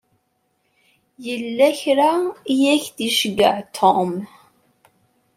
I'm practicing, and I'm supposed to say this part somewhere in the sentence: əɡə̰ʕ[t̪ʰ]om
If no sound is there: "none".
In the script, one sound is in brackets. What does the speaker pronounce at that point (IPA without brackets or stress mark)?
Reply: t̪ʰ